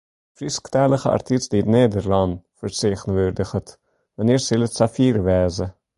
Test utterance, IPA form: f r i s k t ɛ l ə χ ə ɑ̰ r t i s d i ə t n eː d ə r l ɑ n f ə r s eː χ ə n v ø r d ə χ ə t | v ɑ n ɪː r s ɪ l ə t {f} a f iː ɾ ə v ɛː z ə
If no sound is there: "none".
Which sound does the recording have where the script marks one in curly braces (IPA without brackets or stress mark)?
s